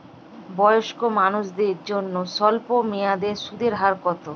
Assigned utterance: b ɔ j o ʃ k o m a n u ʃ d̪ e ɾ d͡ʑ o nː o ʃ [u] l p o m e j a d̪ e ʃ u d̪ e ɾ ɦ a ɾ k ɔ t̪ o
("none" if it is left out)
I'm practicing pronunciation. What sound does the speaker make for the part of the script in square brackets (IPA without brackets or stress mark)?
ɔ